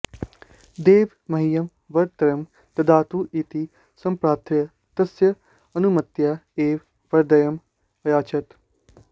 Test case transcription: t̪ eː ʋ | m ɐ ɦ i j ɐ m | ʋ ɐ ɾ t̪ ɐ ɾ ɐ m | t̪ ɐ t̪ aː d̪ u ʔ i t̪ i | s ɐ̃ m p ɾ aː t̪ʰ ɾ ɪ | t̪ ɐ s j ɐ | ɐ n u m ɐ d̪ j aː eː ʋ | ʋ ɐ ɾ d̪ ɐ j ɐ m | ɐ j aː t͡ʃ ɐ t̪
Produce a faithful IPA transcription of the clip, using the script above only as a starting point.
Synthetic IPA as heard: d̪ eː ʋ | m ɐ ɦ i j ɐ m | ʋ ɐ ɾ t̪ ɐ ɾ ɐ m | t̪ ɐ d̪ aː t̪ u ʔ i t̪ i | s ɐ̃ m p ɾ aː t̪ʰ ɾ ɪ | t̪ ɐ s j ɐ | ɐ n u m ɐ t̪ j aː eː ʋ | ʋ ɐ ɾ d̪ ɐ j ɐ m | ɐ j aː t͡ʃ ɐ t̪